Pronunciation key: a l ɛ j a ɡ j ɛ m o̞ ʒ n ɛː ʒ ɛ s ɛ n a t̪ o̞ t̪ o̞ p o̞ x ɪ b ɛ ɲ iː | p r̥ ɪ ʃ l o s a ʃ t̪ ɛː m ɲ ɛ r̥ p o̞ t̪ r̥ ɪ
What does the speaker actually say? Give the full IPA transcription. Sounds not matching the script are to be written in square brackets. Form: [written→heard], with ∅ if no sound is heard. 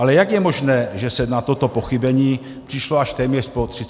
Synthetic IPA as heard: a l ɛ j a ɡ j ɛ m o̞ ʒ n ɛː ʒ ɛ s ɛ n a t̪ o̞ t̪ o̞ p o̞ x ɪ b ɛ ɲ iː | p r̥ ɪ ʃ l o [s→∅] a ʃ t̪ ɛː m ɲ ɛ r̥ p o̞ t̪ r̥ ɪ

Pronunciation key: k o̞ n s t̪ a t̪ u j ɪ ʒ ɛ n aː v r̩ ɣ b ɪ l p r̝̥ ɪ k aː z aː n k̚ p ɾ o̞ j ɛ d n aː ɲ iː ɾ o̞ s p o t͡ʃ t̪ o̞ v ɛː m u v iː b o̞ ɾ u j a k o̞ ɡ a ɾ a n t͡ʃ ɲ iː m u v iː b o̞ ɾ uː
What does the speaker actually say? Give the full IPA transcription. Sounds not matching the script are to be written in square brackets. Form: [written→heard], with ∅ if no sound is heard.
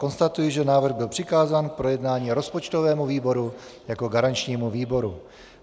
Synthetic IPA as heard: k o̞ n s t̪ a t̪ u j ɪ ʒ ɛ n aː v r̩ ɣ b ɪ l p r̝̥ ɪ k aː z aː n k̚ p ɾ o̞ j ɛ d n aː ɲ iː ɾ o̞ s p o t͡ʃ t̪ o̞ v ɛː m u v iː b o̞ ɾ u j a k o̞ ɡ a ɾ a n t͡ʃ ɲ iː m u v iː b o̞ ɾ [uː→u]

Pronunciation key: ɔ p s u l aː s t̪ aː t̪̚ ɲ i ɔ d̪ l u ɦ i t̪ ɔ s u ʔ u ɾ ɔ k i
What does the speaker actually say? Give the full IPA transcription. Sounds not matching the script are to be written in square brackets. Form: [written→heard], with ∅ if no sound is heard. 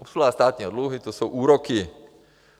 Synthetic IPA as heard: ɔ p s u l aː s t̪ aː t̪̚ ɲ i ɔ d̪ l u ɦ i t̪ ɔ s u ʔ [u→uː] ɾ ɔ k i

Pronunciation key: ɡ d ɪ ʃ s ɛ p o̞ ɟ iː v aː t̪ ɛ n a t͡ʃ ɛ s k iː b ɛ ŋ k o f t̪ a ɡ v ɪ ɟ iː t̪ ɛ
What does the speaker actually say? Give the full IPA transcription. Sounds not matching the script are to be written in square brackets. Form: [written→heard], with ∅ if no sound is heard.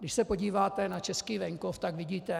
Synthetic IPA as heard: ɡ d ɪ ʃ s ɛ p o̞ ɟ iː v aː t̪ ɛ n a t͡ʃ ɛ s k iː [b→v] ɛ ŋ k o f t̪ a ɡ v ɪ ɟ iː t̪ ɛ

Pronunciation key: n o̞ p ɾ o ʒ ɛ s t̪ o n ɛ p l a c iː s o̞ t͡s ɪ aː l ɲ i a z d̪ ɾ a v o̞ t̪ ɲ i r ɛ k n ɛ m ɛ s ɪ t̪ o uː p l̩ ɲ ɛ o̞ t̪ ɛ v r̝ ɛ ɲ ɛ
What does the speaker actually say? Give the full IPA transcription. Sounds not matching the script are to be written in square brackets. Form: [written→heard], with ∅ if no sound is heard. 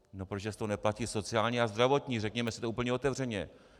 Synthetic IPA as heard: n o̞ p ɾ o ʒ ɛ s t̪ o n ɛ p l a c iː s o̞ t͡s ɪ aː l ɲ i a z d̪ ɾ a v o̞ t̪ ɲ i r ɛ k [n→ɲ] ɛ m ɛ s ɪ t̪ o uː p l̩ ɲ ɛ o̞ t̪ ɛ v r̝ ɛ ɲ ɛ

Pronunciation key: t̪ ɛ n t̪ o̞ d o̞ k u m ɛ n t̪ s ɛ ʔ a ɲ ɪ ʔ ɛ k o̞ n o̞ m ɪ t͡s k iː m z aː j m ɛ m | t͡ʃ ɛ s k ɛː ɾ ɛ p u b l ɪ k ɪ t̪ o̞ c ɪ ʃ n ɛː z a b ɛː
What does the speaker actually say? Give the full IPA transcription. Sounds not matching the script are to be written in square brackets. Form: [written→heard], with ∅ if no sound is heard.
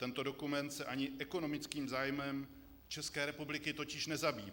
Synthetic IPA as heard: t̪ ɛ n t̪ o̞ d o̞ k u m ɛ n t̪ s ɛ ʔ a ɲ ɪ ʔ ɛ k o̞ n o̞ m ɪ t͡s k iː m z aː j m ɛ m | t͡ʃ ɛ s k ɛː ɾ ɛ p u b l ɪ k ɪ t̪ o̞ c ɪ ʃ n [ɛː→ɛ] z a b [ɛː→iː]

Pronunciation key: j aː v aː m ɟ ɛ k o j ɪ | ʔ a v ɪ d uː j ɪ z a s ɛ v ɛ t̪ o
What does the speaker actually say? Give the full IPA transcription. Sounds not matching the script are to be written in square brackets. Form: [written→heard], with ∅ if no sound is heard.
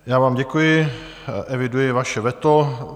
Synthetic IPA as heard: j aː v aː m ɟ ɛ k [o→u] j ɪ | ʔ [a→ɛ] v ɪ d [uː→u] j ɪ [z→v] a [s→ʃ] ɛ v ɛ t̪ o

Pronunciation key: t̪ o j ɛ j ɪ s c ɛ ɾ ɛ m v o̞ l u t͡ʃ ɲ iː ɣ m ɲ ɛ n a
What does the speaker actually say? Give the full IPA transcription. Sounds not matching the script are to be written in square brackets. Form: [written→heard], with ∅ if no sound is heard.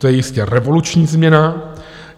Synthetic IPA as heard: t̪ o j ɛ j ɪ s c ɛ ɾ ɛ [m→∅] v o̞ l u t͡ʃ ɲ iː [ɣ→z] m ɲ ɛ n a

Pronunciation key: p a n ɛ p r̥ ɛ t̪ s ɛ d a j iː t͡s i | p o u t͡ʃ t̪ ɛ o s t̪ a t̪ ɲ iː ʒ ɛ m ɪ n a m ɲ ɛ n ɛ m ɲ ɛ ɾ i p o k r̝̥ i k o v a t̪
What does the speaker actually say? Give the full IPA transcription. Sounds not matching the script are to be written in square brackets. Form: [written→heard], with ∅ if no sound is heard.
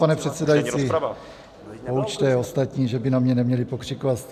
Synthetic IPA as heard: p a n ɛ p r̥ ɛ t̪ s ɛ d a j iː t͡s i | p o u t͡ʃ t̪ ɛ o s t̪ a t̪ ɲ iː ʒ ɛ [m→b] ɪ n a m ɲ ɛ n ɛ m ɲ ɛ [ɾ→l] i p o k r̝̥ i k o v a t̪

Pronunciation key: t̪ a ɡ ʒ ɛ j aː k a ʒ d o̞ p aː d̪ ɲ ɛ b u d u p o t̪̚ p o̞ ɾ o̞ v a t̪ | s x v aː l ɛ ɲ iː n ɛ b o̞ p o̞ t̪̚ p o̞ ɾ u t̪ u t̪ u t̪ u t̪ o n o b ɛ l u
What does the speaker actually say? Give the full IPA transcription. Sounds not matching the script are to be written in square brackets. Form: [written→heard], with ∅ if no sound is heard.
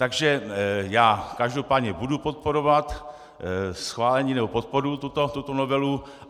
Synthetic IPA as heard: t̪ a ɡ ʒ ɛ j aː k a ʒ d o̞ p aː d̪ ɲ ɛ b u d u p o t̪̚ p o̞ ɾ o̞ v a t̪ | s x v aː l ɛ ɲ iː n ɛ b o̞ p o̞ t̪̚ p o̞ ɾ u t̪ u t̪ [u→o] t̪ u t̪ o n o [b→v] ɛ l u

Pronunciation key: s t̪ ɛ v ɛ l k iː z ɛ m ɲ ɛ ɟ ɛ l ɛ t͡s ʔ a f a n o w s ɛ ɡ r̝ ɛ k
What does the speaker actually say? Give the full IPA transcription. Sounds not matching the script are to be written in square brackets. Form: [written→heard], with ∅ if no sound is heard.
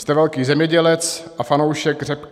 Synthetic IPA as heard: s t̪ ɛ v ɛ l k iː z ɛ m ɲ ɛ ɟ ɛ l ɛ t͡s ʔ a f a n o w [s→ʃ] ɛ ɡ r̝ ɛ [k→p]

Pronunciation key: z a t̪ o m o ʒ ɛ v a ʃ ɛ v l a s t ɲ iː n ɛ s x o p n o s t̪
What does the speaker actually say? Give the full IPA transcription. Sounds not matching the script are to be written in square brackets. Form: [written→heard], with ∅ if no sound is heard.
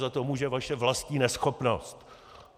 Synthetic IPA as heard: z a t̪ o m [o→u] ʒ ɛ v a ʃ ɛ v l a s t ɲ iː n ɛ s x o p n o s t̪

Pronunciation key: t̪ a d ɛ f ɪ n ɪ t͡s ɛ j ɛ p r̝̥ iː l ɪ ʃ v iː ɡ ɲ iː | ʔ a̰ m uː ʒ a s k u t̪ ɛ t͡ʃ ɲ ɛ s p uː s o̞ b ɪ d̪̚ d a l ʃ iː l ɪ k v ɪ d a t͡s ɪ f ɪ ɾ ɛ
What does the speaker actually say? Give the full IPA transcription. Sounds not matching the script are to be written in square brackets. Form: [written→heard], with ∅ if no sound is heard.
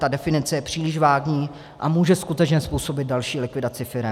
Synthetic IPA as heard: t̪ a d ɛ f ɪ n ɪ t͡s ɛ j ɛ p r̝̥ iː l ɪ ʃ v [iː→aː] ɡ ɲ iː | ʔ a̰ m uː ʒ [a→ɛ] s k u t̪ ɛ t͡ʃ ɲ ɛ s p uː s o̞ b ɪ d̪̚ d a l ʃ iː l ɪ k v ɪ d a t͡s ɪ f ɪ ɾ ɛ

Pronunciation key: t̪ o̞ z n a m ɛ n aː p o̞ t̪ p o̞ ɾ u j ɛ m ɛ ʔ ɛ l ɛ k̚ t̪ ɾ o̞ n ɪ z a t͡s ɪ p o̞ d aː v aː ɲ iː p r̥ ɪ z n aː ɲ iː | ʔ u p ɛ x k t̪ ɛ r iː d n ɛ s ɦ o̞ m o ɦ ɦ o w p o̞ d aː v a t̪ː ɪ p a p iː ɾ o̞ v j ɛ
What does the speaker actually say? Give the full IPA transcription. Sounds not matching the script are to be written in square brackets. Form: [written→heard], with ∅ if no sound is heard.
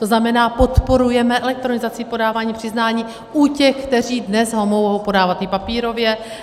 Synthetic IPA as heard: t̪ o̞ z n a m ɛ n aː p o̞ t̪ p o̞ ɾ u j ɛ m ɛ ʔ ɛ l ɛ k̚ t̪ ɾ o̞ n ɪ z a t͡s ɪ p o̞ d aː v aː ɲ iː p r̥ ɪ z n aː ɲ iː | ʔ u [p→c] ɛ x k t̪ ɛ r iː d n ɛ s ɦ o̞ m o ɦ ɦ o w p o̞ d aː v a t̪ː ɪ p a p iː ɾ o̞ v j ɛ

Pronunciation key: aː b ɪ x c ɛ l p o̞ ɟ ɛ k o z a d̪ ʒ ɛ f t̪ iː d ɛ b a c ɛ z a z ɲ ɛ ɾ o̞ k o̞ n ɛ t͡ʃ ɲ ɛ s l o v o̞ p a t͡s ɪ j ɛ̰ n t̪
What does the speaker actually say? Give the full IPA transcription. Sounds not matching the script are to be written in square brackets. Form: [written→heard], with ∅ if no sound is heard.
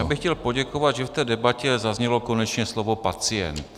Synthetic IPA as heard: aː b ɪ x c ɛ l p o̞ ɟ ɛ k o [z→v] a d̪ ʒ ɛ f t̪ [iː→ɛː] d ɛ b a c ɛ z a z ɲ ɛ [ɾ→l] o̞ k o̞ n ɛ t͡ʃ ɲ ɛ s l o v o̞ p a t͡s ɪ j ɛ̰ n t̪

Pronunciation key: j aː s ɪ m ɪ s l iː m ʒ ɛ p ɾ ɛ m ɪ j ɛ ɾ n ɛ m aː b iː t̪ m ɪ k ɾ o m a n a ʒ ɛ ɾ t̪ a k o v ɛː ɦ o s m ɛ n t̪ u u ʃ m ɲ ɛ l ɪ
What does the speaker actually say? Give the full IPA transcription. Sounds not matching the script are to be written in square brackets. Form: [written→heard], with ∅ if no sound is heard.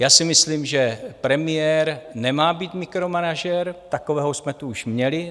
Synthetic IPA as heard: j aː s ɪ m ɪ s l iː m ʒ ɛ p ɾ ɛ m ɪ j ɛ ɾ n ɛ m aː b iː t̪ m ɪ k ɾ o m a n a ʒ ɛ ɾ t̪ a k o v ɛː ɦ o s m ɛ [n→∅] t̪ u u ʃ m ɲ ɛ l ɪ

